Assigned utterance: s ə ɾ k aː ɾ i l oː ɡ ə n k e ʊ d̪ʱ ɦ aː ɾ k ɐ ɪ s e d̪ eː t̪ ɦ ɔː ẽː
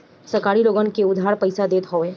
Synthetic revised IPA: s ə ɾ k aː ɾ i l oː ɡ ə n k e ʊ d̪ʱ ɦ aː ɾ p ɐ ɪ s a d̪ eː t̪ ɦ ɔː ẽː